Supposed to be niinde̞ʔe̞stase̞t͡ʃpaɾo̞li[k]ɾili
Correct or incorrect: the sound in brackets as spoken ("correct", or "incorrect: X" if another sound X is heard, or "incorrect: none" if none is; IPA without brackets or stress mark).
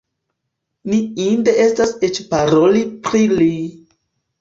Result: incorrect: p